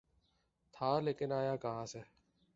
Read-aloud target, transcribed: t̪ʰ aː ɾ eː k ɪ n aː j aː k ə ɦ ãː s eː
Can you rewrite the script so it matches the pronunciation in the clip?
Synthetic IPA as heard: t̪ʰ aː l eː k ɪ n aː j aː k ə ɦ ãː s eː